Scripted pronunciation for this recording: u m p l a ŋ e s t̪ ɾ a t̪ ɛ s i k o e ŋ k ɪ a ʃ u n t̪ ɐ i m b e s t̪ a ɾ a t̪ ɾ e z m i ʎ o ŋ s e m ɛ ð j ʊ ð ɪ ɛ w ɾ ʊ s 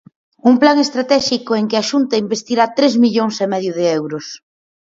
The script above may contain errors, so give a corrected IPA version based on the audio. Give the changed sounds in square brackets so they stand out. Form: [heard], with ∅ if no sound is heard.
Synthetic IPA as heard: u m p l a ŋ e s t̪ ɾ a t̪ ɛ [ʃ] i k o e ŋ k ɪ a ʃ u n t̪ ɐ i m b e s t̪ [i] ɾ a t̪ ɾ e z m i ʎ o ŋ s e m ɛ ð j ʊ ð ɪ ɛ w ɾ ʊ s